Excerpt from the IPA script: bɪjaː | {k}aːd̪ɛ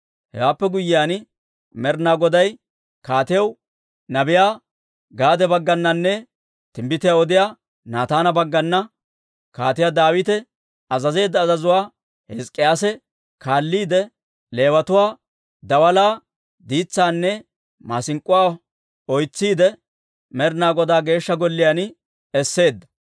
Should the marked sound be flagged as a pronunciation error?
yes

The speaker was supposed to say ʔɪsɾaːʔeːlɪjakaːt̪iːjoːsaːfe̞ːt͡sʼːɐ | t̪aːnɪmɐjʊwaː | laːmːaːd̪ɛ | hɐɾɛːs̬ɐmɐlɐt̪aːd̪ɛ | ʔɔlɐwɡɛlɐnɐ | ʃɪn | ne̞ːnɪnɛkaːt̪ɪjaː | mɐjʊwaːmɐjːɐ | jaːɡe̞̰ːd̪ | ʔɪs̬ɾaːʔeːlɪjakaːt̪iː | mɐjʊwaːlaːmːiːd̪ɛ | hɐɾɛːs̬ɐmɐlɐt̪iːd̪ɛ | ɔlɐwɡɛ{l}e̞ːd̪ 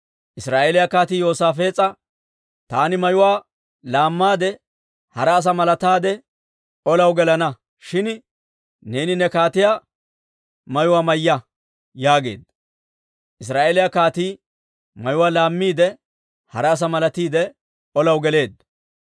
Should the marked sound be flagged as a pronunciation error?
no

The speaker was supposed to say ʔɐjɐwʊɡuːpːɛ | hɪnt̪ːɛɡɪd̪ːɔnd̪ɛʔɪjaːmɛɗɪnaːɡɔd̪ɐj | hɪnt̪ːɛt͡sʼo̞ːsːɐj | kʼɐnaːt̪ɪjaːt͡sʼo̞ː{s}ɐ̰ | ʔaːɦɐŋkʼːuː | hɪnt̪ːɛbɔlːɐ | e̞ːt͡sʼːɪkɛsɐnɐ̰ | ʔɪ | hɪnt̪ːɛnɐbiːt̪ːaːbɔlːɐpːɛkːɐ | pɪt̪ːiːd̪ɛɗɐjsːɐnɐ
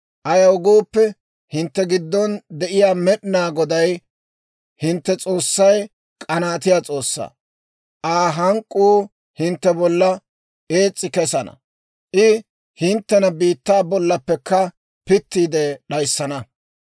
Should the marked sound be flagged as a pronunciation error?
yes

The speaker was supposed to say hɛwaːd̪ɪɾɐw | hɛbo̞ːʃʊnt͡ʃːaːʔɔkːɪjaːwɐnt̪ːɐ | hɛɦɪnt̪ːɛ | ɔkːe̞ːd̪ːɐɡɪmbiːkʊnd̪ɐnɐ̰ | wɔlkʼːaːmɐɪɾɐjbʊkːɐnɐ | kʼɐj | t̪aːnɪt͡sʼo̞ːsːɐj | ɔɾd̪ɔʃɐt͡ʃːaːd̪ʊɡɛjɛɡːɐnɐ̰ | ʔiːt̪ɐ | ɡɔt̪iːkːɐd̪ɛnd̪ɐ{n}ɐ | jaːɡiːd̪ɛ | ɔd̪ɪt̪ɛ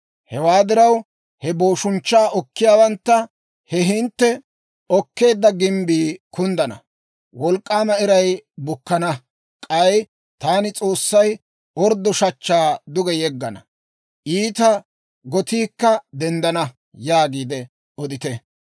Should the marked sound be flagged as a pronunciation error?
no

